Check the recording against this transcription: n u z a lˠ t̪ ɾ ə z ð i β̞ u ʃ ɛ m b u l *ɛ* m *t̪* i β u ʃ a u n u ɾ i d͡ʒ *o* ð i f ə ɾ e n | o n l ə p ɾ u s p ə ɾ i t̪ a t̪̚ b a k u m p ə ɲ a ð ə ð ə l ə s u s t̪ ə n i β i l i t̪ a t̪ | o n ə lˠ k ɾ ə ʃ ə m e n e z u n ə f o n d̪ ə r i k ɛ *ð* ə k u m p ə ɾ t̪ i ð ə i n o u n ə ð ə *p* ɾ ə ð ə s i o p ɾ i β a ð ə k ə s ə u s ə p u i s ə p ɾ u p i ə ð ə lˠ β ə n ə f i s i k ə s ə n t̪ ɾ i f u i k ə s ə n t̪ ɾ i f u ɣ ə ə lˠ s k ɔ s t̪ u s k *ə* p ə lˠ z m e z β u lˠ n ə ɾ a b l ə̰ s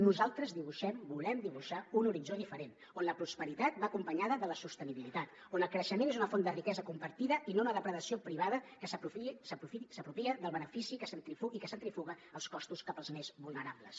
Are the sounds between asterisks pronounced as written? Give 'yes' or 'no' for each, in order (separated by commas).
yes, no, yes, no, yes, no